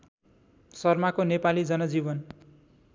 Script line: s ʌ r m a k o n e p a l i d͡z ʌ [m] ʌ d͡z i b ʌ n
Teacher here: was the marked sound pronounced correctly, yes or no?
no